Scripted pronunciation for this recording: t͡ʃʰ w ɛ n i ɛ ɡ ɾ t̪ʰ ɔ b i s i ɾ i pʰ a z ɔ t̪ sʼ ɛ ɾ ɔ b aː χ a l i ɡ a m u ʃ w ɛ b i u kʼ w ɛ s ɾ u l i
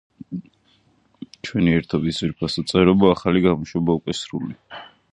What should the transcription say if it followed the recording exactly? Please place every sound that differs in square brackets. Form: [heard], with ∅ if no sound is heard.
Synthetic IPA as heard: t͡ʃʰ w ɛ n i ɛ [∅] ɾ t̪ʰ ɔ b i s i ɾ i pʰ a [s] ɔ t̪ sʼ ɛ ɾ ɔ b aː χ a l i ɡ a m u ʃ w ɛ b [a] u kʼ w ɛ s ɾ u l i